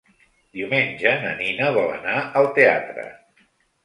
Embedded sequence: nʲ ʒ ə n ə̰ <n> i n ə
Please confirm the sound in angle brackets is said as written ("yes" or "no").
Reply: yes